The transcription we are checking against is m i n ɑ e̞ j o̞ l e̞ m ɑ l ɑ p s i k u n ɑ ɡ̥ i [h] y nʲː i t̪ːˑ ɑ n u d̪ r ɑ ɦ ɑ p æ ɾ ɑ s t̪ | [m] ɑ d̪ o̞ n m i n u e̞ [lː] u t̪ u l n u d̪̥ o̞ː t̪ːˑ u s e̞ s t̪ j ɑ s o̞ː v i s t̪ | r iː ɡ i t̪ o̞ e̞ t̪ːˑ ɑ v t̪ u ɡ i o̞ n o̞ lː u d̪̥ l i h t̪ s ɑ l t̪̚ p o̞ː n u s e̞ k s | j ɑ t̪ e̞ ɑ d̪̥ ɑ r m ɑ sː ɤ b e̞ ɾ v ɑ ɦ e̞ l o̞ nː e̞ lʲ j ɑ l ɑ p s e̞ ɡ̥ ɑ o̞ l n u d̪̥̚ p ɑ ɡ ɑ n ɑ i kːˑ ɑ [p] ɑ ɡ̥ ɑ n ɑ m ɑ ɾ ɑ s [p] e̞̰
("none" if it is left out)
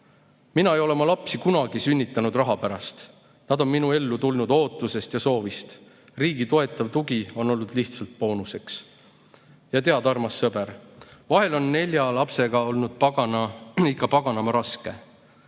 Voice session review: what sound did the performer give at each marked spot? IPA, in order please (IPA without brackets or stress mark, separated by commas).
s, n, lː, p, k